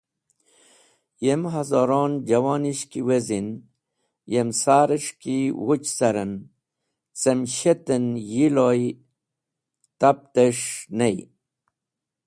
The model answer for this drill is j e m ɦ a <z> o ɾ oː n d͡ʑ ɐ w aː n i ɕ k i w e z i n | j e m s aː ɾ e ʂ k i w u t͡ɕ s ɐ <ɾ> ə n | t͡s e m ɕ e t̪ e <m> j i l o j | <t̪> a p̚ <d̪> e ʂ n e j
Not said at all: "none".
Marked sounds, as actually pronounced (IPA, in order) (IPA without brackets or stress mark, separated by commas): z, ɾ, n, t̪, t̪